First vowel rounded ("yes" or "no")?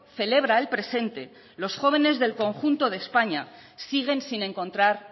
no